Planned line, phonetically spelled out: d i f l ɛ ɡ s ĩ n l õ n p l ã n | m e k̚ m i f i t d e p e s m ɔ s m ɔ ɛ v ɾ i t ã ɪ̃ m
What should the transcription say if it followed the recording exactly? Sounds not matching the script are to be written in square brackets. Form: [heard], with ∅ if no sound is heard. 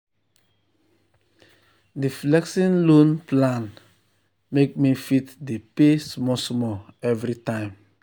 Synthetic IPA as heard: d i f l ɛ [k] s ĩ n l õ n p l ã n | m e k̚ m i f i t d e p e s m ɔ s m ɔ ɛ v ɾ i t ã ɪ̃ m